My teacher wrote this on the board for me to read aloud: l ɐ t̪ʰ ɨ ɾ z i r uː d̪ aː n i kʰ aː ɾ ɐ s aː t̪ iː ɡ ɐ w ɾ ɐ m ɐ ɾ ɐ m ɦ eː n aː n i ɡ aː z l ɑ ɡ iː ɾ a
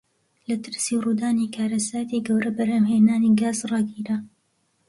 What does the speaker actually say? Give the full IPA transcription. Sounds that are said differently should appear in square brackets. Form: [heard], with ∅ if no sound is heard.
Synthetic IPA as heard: l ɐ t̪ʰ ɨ ɾ [s] i r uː d̪ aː n i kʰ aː ɾ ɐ s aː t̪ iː ɡ ɐ w ɾ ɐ [b] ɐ ɾ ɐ m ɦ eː n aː n i ɡ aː z [r] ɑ ɡ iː ɾ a